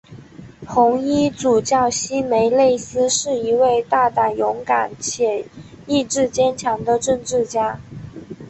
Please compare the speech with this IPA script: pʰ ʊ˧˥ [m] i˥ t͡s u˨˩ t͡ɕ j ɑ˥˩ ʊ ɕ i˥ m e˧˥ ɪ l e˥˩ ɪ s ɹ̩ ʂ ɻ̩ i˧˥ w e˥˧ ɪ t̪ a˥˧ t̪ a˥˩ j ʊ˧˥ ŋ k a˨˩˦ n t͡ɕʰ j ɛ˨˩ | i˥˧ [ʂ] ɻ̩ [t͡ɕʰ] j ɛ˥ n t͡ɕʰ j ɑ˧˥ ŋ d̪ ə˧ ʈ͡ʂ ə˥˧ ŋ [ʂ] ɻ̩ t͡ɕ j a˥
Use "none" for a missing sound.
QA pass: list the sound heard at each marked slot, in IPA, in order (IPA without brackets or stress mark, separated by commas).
ŋ, ʈ͡ʂ, t͡ɕ, ʈ͡ʂ